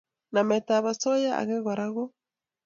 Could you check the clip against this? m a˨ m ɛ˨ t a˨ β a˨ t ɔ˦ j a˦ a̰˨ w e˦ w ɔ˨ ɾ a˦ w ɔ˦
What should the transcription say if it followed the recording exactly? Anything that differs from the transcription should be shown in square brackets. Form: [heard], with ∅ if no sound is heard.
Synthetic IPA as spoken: [n] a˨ m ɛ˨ t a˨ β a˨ [s] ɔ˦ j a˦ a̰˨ [ɣ] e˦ [ɣ] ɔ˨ ɾ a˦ [ɣ] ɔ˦